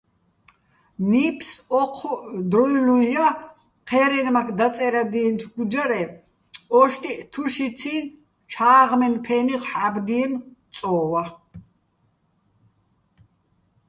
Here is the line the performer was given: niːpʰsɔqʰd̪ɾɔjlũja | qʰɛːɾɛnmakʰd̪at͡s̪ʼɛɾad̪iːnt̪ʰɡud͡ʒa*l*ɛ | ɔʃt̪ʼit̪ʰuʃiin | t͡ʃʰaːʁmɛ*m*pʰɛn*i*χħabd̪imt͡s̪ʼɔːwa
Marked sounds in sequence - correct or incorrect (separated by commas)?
incorrect, incorrect, correct